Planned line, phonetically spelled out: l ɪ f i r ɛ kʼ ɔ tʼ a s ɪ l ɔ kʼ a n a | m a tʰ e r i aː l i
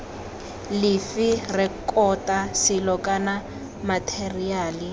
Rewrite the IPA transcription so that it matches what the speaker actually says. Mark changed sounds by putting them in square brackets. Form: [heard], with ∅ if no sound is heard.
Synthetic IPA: l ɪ f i r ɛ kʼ ɔ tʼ a s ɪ l ɔ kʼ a n a | m a tʰ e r i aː l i